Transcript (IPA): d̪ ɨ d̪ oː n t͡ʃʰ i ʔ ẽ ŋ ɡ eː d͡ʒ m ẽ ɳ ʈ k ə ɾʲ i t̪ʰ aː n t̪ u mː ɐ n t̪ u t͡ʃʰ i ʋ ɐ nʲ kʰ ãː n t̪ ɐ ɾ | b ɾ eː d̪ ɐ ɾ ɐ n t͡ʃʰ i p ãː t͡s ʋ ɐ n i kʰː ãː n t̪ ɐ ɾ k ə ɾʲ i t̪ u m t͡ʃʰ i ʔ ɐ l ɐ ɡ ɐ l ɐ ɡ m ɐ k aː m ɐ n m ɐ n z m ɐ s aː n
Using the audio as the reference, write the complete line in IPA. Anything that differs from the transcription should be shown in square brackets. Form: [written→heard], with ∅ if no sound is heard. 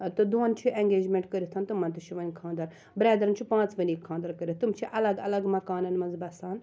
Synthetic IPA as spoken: [d̪→t̪] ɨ d̪ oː n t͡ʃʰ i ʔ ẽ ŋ ɡ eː d͡ʒ m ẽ ɳ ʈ k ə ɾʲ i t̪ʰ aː n t̪ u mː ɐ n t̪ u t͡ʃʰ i ʋ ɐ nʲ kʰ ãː n [t̪→d̪] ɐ ɾ | b ɾ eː d̪ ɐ ɾ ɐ n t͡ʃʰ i p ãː t͡s ʋ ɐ n i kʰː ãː n [t̪→d̪] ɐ ɾ k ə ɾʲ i t̪ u m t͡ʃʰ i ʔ ɐ l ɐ ɡ ɐ l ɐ ɡ m ɐ k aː [m→n] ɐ n m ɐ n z [m→b] ɐ s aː n